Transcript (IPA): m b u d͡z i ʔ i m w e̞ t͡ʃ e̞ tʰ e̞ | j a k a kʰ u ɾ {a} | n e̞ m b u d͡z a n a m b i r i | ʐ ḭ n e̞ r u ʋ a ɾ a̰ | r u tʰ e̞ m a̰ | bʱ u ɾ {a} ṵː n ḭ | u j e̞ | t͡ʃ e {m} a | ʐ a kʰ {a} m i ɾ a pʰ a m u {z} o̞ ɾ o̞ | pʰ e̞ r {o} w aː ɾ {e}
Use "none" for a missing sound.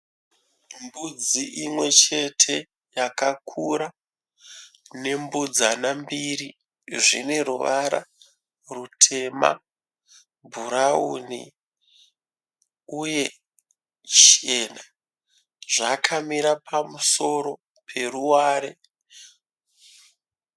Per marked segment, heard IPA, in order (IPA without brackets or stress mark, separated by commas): a, a, n, a, s, u, e